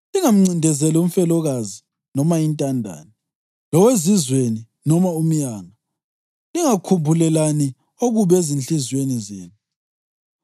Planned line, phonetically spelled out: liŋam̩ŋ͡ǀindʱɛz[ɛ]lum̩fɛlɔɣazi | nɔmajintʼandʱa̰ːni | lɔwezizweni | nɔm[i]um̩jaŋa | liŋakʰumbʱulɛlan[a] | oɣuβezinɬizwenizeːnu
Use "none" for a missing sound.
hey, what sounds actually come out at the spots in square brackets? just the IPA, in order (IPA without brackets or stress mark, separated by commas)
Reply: ɛ, a, i